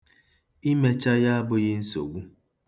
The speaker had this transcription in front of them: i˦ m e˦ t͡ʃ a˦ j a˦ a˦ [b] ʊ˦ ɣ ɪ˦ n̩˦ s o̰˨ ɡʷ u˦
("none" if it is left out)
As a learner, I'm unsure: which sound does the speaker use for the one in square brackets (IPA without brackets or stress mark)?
b